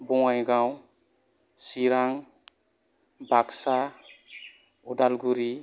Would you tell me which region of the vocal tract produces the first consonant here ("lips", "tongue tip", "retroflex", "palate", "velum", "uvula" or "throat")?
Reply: lips